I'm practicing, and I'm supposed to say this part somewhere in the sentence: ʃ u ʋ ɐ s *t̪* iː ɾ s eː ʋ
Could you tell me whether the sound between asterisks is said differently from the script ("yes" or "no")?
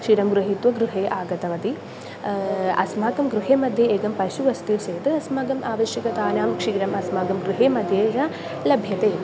no